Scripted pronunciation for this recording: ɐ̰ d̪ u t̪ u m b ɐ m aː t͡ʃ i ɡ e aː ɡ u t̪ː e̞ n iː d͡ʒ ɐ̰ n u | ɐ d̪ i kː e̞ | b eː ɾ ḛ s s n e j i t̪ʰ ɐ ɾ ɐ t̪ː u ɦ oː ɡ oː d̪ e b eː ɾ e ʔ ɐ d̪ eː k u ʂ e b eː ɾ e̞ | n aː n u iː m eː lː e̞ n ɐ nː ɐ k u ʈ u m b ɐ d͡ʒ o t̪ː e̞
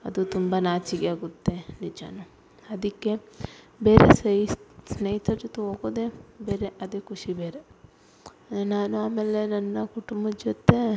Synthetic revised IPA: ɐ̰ d̪ u t̪ u m b ɐ n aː t͡ʃ i ɡ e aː ɡ u t̪ː e̞ n i d͡ʒ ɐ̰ n u | ɐ d̪ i kː e̞ | b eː ɾ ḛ s s n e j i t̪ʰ ɐ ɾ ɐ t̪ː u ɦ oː ɡ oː d̪ e b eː ɾ e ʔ ɐ d̪ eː k u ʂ i b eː ɾ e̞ | n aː n u aː m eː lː e̞ n ɐ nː ɐ k u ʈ u m b ɐ d͡ʒ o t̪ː e̞